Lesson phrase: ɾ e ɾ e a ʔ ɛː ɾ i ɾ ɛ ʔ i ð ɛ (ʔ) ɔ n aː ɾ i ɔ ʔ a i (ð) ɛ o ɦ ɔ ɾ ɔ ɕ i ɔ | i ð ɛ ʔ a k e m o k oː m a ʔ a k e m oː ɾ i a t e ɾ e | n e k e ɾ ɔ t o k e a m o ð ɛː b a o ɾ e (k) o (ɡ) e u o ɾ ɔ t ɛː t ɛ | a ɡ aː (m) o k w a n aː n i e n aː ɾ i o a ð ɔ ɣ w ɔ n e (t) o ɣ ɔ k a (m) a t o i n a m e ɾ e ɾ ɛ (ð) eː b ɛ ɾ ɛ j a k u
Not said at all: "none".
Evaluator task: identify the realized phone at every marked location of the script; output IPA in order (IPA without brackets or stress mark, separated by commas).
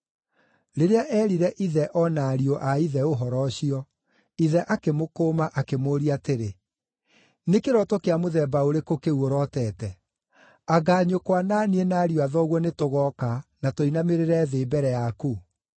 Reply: ʔ, ð, k, k, ɲ, t, n, ð